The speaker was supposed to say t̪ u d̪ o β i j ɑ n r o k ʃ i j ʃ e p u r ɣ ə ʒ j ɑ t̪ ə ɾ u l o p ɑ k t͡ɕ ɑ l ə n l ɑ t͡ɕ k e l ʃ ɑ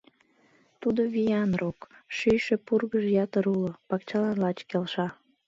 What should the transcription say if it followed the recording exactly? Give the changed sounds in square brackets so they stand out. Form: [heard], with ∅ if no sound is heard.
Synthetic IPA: t̪ u d̪ o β i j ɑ n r o k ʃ [y] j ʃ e p u r ɣ ə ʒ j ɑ t̪ ə ɾ u l o p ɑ k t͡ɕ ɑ l [ɑ] n l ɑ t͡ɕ k e l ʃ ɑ